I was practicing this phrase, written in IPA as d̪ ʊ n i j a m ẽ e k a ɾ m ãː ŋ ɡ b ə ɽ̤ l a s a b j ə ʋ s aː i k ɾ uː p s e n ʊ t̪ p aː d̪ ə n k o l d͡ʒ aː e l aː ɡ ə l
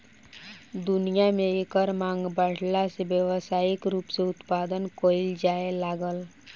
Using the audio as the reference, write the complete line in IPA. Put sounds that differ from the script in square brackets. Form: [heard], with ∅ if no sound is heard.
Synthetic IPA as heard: d̪ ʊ n i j a m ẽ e k [ə] ɾ m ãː ŋ ɡ b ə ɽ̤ l a s [e] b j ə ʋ s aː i k ɾ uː p s e [∅] ʊ t̪ p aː d̪ ə n k o l d͡ʒ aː e l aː ɡ ə l

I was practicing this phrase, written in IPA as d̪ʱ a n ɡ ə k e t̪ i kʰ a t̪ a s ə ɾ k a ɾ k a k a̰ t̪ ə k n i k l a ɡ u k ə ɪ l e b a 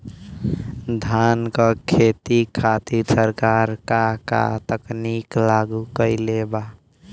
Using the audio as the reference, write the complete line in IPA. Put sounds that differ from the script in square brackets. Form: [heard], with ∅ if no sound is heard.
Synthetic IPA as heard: d̪ʱ a n [k] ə [kʰ] e t̪ i kʰ a t̪ [i] s ə ɾ k a ɾ k a k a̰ t̪ ə k n i k l a ɡ u k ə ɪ l e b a

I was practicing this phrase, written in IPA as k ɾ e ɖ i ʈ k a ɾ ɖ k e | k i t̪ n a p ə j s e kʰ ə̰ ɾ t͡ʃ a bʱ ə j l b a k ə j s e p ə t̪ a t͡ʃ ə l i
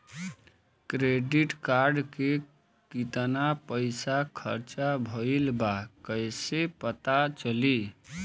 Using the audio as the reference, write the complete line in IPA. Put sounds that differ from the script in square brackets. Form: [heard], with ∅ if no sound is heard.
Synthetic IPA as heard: k ɾ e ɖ i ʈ k a ɾ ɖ k e | k i t̪ n a p ə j s [a] kʰ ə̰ ɾ t͡ʃ a bʱ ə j l b a k ə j s e p ə t̪ a t͡ʃ ə l i

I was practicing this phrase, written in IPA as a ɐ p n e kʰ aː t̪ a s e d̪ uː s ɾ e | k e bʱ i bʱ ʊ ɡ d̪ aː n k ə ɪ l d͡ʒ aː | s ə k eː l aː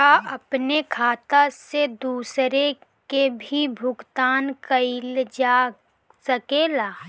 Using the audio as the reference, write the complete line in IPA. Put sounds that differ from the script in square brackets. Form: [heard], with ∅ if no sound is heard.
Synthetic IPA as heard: a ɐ p n e kʰ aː t̪ a s e d̪ uː s ɾ e | k e bʱ i bʱ ʊ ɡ [t̪] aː n k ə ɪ l d͡ʒ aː | s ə k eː l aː

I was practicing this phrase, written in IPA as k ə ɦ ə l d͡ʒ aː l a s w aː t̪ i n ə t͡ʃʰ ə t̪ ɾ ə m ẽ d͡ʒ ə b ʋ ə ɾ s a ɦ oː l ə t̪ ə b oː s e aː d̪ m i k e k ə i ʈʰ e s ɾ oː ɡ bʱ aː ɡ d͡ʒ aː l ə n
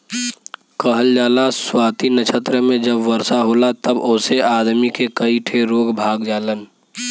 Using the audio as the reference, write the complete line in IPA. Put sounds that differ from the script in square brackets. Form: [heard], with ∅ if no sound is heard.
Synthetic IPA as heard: k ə ɦ ə l d͡ʒ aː l a s w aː t̪ i n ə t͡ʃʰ ə t̪ ɾ ə m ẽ d͡ʒ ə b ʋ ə ɾ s a ɦ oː l [a] t̪ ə b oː s e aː d̪ m i k e k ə i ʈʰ e [∅] ɾ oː ɡ bʱ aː ɡ d͡ʒ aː l ə n

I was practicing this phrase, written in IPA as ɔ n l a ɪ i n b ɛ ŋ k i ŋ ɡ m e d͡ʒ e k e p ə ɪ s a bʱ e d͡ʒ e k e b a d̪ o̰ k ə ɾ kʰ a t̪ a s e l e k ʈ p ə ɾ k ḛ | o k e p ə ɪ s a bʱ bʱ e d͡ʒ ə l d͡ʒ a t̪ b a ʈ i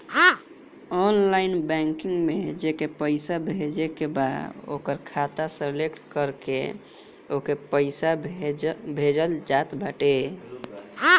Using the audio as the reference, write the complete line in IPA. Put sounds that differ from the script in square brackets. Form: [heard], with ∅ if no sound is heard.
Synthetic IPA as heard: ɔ n l a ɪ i n b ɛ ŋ k i ŋ ɡ m e d͡ʒ e k e p ə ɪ s a bʱ e d͡ʒ e k e b a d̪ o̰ k ə ɾ kʰ a t̪ a s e l e k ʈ [k] ə ɾ k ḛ | o k e p ə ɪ s a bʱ bʱ e d͡ʒ ə l d͡ʒ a t̪ b a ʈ [e]

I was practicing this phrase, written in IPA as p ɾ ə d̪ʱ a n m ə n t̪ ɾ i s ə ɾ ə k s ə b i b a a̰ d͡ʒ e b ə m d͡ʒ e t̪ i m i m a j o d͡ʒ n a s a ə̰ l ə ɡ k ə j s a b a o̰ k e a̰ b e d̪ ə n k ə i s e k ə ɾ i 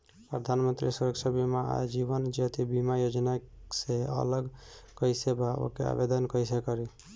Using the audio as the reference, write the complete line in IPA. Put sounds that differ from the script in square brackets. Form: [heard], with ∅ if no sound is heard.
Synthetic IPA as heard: p ɾ ə d̪ʱ a n m ə n t̪ ɾ i s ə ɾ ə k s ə b i [m] a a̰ d͡ʒ [i] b ə [n] d͡ʒ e t̪ i [b] i m a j o d͡ʒ n a s [e] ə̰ l ə ɡ k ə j s [e] b a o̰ k e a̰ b e d̪ ə n k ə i s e k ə ɾ i

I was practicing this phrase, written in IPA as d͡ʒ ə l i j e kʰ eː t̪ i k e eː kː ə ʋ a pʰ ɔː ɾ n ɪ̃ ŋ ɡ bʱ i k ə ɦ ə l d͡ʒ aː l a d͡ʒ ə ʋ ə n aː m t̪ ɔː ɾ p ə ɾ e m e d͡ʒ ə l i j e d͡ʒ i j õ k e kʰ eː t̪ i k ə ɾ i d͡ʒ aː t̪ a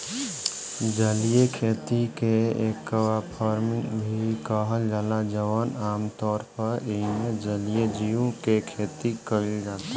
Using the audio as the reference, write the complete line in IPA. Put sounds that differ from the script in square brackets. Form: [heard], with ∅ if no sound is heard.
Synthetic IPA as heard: d͡ʒ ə l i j e kʰ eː t̪ i k e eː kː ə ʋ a pʰ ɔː ɾ [m] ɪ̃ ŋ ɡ bʱ i k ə ɦ ə l d͡ʒ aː l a d͡ʒ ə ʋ ə n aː m t̪ ɔː ɾ p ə ɾ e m e d͡ʒ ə l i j e d͡ʒ i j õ k e kʰ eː t̪ i k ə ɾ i d͡ʒ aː t̪ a

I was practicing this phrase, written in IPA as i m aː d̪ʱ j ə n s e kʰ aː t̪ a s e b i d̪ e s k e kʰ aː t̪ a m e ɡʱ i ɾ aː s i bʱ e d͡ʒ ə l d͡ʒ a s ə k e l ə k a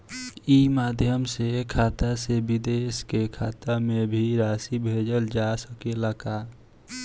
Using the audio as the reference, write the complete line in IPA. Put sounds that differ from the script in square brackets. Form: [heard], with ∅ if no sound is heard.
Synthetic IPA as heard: i m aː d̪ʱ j ə [m] s e kʰ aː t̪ a s e b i d̪ e s k e kʰ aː t̪ a m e [bʱ] i ɾ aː s i bʱ e d͡ʒ ə l d͡ʒ a s ə k e l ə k a

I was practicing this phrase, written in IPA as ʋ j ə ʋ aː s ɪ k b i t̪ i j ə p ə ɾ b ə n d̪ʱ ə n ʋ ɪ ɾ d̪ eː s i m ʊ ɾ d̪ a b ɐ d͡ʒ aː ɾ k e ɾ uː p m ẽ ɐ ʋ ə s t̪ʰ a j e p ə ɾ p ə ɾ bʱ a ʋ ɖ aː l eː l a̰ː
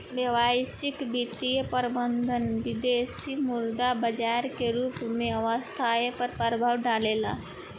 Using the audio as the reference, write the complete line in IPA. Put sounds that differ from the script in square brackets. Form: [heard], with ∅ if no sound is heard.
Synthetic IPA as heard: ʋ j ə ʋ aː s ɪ k b i t̪ i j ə p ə ɾ b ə n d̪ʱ ə n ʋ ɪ [∅] d̪ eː s i m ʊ ɾ d̪ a b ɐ d͡ʒ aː ɾ k e ɾ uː p m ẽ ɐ ʋ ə s t̪ʰ a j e p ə ɾ p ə ɾ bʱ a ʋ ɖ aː l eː l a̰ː

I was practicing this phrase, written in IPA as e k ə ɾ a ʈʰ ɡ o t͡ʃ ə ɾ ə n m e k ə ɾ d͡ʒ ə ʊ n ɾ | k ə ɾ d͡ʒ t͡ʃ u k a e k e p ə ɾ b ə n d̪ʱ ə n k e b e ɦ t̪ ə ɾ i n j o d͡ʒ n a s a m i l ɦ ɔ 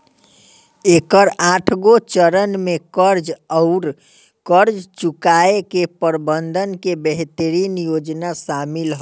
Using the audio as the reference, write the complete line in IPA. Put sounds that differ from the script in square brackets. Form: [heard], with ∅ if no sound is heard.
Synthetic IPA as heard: e k ə ɾ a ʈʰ ɡ o t͡ʃ ə ɾ ə n m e k ə ɾ d͡ʒ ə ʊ [∅] ɾ | k ə ɾ d͡ʒ t͡ʃ u k a e k e p ə ɾ b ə n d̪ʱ ə n k e b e ɦ t̪ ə ɾ i n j o d͡ʒ n a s a m i l ɦ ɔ

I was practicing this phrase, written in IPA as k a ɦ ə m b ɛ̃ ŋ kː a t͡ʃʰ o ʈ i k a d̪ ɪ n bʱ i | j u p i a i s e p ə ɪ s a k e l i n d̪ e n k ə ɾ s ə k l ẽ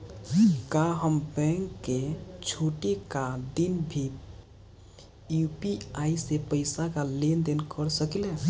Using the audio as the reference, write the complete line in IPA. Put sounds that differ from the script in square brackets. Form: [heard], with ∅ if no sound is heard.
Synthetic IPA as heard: k a ɦ ə m b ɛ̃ ŋ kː [e] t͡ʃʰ o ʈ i k a d̪ [i] n bʱ i | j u p i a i s e p ə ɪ s a k [a] l [e] n d̪ e n k ə ɾ s ə k l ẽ

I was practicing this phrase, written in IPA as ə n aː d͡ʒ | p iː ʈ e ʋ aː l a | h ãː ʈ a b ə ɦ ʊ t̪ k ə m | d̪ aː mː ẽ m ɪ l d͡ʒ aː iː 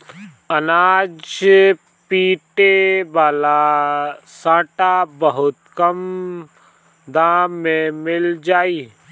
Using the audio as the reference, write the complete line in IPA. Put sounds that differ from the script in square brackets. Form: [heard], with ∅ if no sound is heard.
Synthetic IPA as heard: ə n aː d͡ʒ | p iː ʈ e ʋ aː l a | [s] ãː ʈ a b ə ɦ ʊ t̪ k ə m | d̪ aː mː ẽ m ɪ l d͡ʒ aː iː

